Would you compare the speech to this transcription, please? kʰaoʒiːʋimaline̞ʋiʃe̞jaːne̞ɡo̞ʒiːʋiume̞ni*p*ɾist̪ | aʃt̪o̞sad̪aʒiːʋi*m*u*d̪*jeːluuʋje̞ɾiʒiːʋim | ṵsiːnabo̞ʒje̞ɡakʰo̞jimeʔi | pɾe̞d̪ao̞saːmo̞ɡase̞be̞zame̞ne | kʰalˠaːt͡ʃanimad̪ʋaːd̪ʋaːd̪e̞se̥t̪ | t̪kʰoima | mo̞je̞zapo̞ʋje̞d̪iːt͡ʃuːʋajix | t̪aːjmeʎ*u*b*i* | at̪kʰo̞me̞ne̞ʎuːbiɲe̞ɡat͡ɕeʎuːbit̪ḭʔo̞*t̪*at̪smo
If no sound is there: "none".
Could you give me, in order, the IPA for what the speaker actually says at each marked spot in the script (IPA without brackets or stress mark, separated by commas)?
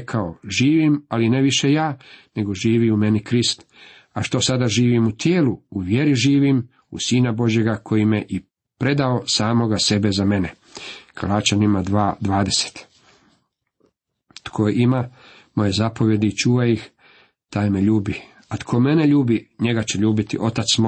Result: k, m, t̪, uː, i, t̪